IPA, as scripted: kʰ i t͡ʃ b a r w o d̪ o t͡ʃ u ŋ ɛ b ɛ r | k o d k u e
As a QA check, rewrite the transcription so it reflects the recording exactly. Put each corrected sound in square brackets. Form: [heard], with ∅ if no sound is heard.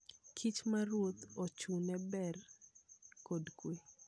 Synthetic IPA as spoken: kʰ i t͡ʃ [m] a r w o [t̪] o t͡ʃ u [n] ɛ b ɛ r | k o d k [w] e

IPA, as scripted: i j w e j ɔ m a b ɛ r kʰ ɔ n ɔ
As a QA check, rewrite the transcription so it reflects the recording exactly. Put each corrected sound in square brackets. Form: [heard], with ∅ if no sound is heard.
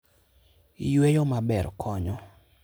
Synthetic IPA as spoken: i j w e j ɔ m a b ɛ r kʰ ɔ [ɲ] ɔ

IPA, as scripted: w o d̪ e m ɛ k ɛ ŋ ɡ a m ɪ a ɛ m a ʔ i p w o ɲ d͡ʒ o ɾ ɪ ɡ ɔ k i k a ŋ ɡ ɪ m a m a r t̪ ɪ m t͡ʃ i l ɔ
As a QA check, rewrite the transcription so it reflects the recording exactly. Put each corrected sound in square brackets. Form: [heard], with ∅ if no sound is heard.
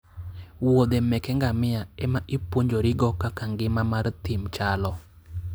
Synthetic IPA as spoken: w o d̪ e m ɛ k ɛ ŋ ɡ a m ɪ a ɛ m a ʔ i p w o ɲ d͡ʒ o ɾ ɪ ɡ ɔ k [a] k a ŋ ɡ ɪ m a m a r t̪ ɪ m t͡ʃ [a] l ɔ

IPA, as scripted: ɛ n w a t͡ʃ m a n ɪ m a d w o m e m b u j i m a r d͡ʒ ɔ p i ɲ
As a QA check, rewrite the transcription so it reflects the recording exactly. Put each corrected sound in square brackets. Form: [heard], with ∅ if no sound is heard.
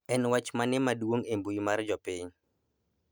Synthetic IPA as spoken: ɛ n w a t͡ʃ m a n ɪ m a d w o [ŋ] e m b u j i m a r d͡ʒ ɔ p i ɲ

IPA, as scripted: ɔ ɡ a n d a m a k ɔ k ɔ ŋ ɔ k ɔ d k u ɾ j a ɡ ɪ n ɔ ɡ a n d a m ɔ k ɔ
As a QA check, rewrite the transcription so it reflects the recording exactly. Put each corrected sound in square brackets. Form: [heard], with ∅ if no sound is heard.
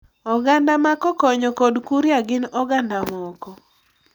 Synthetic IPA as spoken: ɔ ɡ a n d a m a k ɔ k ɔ [ɲ] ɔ k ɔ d k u ɾ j a ɡ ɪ n ɔ ɡ a n d a m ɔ k ɔ

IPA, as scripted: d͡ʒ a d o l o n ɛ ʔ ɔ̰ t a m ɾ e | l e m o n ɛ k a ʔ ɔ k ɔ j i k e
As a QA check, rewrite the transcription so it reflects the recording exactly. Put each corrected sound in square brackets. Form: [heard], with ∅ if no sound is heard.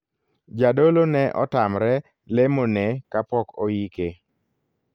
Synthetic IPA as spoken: d͡ʒ a d o l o n ɛ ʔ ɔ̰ t a m ɾ [ɛ] | l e m o n ɛ k a [p] ɔ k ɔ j i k e

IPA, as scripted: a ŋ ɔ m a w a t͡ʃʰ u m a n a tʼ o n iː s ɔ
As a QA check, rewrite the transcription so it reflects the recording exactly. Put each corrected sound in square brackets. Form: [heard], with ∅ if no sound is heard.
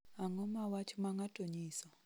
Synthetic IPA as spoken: a ŋ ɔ m a w a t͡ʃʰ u m a [ŋ] a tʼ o [ɲ] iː s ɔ

